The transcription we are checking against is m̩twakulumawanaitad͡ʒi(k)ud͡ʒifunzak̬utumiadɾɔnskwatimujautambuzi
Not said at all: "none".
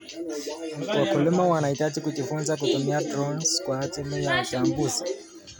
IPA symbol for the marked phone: k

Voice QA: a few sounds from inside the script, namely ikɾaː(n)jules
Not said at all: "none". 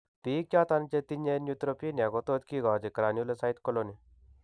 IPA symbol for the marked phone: n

